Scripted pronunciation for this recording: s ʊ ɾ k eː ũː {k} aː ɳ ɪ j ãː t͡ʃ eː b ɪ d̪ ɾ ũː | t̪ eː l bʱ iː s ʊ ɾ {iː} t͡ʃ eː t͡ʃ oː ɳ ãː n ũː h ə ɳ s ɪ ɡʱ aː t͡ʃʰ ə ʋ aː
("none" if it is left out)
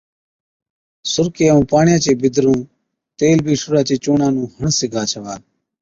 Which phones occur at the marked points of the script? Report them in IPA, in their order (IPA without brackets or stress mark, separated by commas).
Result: p, aː